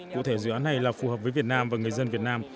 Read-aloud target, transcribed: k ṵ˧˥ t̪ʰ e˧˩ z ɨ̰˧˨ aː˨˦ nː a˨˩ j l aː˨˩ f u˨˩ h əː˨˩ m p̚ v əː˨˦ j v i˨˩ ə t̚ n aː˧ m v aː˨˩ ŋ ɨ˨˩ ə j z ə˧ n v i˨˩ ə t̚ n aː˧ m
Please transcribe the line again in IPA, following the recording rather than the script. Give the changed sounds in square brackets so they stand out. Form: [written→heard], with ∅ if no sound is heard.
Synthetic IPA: k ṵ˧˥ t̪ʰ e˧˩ z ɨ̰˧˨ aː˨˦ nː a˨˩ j l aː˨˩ f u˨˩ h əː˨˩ [m→∅] p̚ v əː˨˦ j v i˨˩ ə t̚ n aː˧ m v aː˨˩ ŋ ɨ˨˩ ə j z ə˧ n v i˨˩ ə t̚ n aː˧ m

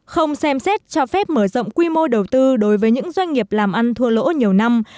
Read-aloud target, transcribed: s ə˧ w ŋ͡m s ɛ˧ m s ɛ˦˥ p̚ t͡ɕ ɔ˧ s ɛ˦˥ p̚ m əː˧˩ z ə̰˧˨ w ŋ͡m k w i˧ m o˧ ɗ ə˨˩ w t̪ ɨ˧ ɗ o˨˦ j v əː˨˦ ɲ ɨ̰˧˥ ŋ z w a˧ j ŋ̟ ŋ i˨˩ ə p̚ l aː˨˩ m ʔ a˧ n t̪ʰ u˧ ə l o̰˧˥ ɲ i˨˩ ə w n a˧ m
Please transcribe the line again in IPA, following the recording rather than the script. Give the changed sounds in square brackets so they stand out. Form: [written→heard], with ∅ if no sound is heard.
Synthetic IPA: [s→x] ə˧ w ŋ͡m s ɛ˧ m s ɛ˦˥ [p̚→t̚] t͡ɕ ɔ˧ [s→f] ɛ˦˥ p̚ m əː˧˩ z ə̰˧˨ w ŋ͡m k w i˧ m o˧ ɗ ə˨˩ w t̪ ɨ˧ ɗ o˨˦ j v əː˨˦ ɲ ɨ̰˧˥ ŋ z w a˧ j ŋ̟ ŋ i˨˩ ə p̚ l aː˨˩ m ʔ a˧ n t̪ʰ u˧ ə l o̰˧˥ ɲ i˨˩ ə w n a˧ m

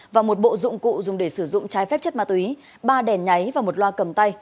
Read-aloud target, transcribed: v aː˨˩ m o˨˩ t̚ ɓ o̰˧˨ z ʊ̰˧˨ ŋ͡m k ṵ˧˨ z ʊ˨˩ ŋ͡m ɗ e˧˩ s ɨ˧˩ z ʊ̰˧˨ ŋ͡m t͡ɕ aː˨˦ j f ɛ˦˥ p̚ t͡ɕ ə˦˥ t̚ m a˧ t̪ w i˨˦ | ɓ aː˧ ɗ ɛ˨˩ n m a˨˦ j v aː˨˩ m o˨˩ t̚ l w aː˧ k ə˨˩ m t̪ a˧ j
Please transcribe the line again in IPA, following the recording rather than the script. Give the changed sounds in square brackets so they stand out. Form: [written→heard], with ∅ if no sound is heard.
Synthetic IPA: v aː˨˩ m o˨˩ t̚ ɓ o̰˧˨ z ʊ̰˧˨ ŋ͡m k ṵ˧˨ z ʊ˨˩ ŋ͡m ɗ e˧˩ s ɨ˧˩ z ʊ̰˧˨ ŋ͡m t͡ɕ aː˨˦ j f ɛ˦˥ p̚ t͡ɕ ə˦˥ t̚ m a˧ t̪ w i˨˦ | ɓ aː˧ ɗ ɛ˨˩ n [m→ɲ] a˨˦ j v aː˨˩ m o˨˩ t̚ l w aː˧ k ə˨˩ m t̪ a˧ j

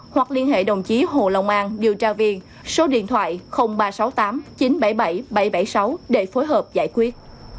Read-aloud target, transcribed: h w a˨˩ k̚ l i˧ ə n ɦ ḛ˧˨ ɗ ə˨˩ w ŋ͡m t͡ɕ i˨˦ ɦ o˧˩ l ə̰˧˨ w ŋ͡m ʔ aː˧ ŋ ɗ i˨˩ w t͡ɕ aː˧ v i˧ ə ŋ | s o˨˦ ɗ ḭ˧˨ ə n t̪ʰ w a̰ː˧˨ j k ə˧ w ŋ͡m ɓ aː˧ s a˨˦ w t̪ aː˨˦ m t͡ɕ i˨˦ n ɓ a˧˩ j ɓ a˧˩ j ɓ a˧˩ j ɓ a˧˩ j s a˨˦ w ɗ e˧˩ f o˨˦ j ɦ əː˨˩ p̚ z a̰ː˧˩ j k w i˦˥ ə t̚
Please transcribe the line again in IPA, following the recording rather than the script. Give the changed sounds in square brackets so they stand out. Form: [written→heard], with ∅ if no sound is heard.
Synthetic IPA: h w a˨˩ k̚ l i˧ ə n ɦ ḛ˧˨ ɗ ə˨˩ w ŋ͡m t͡ɕ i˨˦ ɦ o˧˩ l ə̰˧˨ w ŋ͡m ʔ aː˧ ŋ ɗ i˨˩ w t͡ɕ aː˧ v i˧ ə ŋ | s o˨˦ ɗ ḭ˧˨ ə n t̪ʰ w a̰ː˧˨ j [k→x] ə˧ w ŋ͡m ɓ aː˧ s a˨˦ w t̪ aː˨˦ m t͡ɕ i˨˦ n ɓ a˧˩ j ɓ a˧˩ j ɓ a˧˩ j ɓ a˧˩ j s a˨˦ w ɗ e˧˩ f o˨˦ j ɦ əː˨˩ p̚ z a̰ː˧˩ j k w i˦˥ ə t̚

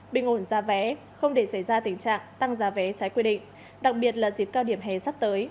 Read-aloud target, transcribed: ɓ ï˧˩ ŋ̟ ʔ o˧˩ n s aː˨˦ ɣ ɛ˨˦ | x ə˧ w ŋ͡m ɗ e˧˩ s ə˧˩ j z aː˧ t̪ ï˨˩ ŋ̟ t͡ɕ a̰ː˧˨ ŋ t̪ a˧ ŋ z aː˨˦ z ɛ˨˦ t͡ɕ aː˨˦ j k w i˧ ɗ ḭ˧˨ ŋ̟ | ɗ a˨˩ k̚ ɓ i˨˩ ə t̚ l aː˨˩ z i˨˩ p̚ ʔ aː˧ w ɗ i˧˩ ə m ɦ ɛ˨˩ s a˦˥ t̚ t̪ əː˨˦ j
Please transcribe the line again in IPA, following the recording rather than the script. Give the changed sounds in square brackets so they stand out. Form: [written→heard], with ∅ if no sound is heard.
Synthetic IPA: ɓ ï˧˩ ŋ̟ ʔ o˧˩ n [s→z] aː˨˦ [ɣ→v] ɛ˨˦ | x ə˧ w ŋ͡m ɗ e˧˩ s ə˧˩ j z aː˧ t̪ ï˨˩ ŋ̟ t͡ɕ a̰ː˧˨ ŋ t̪ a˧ ŋ z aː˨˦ [z→v] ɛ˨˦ t͡ɕ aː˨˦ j k w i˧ ɗ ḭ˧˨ ŋ̟ | ɗ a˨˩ k̚ ɓ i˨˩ ə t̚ l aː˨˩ z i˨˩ p̚ [ʔ→k] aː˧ w ɗ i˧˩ ə m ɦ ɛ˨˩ s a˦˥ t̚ t̪ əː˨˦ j

